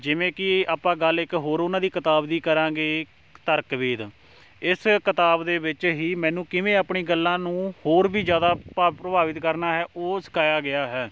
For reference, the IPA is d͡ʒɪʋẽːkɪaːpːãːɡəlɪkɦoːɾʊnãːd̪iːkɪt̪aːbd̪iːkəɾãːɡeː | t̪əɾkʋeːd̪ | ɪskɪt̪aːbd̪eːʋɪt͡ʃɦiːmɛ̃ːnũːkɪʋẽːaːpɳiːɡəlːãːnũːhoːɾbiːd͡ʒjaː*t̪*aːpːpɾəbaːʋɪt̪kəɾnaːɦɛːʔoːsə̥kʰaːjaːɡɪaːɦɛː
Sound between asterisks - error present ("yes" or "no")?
yes